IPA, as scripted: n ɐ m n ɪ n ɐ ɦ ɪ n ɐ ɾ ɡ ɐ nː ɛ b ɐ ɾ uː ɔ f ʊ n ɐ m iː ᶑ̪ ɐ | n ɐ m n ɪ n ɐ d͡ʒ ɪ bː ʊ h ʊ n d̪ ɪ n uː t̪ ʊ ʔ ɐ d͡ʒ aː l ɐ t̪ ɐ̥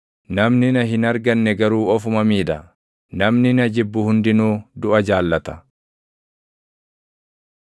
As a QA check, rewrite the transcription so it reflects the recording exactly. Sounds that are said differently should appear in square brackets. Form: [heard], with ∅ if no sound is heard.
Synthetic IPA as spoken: n ɐ m n ɪ n ɐ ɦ ɪ n ɐ ɾ ɡ ɐ nː ɛ [ɡ] ɐ ɾ uː ɔ f ʊ [m] ɐ m iː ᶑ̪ ɐ | n ɐ m n ɪ n ɐ d͡ʒ ɪ bː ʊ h ʊ n d̪ ɪ n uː [d̪] ʊ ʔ ɐ d͡ʒ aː [lː] ɐ t̪ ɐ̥